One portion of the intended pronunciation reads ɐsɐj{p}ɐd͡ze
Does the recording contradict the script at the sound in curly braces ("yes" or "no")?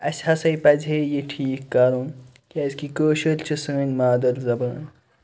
no